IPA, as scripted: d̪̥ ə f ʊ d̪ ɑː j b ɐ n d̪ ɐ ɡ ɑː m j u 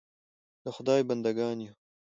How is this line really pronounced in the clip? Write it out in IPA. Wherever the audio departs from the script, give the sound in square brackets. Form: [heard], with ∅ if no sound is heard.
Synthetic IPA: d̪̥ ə [x] ʊ d̪ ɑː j b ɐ n d̪ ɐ ɡ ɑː [n] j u